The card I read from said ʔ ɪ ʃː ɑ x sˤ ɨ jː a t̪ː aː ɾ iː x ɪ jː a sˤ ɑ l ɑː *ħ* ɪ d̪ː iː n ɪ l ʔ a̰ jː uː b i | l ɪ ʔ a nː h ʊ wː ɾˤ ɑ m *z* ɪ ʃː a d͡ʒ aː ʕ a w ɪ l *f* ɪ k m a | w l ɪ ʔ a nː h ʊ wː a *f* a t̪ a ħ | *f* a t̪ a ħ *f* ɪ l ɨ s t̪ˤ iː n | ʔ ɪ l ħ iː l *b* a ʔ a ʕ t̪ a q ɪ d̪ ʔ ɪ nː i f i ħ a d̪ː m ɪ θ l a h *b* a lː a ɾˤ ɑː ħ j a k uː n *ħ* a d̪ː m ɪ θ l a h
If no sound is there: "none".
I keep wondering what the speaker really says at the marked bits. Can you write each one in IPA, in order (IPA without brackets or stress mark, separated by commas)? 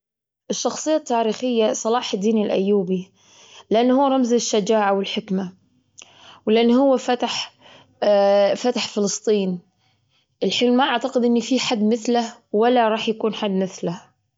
ħ, z, ħ, f, f, f, m, w, ħ